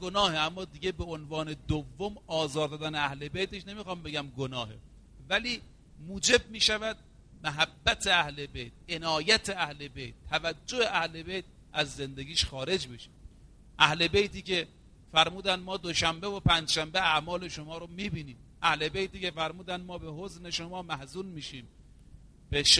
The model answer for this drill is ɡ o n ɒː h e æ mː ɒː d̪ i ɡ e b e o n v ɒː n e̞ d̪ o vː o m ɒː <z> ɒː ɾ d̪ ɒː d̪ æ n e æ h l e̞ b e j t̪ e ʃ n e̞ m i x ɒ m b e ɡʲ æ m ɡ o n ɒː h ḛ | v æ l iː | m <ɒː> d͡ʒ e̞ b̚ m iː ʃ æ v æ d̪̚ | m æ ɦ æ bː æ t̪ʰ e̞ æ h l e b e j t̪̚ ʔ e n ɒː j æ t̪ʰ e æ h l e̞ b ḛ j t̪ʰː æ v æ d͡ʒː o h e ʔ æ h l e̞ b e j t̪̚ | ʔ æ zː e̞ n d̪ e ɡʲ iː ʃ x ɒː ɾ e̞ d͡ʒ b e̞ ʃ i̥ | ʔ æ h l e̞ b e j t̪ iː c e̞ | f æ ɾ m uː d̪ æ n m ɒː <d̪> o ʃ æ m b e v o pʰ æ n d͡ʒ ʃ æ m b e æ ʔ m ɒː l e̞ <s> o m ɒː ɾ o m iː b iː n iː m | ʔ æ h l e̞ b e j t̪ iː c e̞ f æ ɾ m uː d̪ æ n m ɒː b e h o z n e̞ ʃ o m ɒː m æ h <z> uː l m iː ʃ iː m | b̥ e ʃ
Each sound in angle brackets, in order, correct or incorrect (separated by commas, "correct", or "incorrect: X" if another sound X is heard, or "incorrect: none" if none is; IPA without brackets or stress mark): correct, incorrect: uː, correct, incorrect: ʃ, correct